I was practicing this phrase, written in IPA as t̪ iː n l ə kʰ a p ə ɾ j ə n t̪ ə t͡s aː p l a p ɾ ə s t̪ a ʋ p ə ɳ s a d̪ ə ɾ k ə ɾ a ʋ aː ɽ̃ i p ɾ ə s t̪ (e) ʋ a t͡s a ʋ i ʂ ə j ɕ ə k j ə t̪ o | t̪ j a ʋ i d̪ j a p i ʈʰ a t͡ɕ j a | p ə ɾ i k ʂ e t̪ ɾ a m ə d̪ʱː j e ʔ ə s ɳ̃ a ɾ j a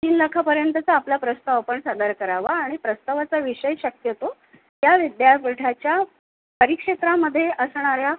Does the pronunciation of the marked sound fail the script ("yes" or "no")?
yes